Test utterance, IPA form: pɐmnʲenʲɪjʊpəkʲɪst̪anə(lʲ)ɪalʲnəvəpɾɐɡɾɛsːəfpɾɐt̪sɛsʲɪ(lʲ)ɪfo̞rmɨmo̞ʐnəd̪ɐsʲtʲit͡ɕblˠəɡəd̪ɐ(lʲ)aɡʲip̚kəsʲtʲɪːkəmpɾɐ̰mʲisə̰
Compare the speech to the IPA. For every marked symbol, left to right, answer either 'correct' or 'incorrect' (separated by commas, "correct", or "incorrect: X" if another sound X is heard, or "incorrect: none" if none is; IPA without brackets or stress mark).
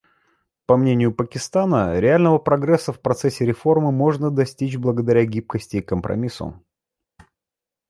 incorrect: ɾʲ, incorrect: ɾʲ, incorrect: ɾʲ